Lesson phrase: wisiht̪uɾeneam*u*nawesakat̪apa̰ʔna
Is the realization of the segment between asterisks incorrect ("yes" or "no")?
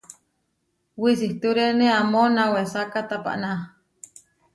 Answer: yes